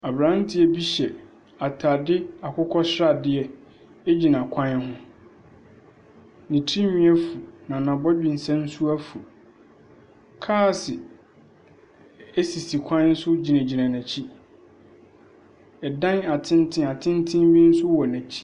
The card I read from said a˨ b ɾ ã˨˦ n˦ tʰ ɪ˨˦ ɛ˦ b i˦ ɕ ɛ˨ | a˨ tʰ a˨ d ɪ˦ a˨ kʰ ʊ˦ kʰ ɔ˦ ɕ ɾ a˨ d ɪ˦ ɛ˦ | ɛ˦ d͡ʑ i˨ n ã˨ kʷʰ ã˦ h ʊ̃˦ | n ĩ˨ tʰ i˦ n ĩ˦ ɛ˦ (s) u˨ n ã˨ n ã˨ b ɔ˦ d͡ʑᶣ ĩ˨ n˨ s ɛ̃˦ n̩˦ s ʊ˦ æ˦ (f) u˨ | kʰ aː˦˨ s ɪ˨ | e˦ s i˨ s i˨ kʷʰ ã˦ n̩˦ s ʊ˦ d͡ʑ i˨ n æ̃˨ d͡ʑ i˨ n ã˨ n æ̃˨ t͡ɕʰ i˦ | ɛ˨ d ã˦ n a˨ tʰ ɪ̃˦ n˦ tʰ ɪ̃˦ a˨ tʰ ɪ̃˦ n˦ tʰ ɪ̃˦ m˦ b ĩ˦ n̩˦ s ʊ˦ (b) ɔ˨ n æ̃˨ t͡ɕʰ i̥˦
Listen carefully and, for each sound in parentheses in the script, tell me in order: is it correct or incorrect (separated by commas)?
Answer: incorrect, correct, incorrect